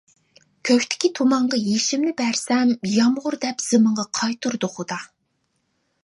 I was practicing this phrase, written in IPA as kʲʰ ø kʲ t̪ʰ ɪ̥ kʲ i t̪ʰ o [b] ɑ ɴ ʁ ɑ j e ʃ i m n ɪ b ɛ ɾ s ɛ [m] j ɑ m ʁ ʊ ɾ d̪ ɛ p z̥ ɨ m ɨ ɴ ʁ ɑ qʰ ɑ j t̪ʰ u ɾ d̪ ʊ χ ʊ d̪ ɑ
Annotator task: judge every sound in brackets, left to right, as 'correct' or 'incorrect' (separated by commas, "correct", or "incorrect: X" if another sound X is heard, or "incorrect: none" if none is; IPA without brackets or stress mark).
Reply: incorrect: m, correct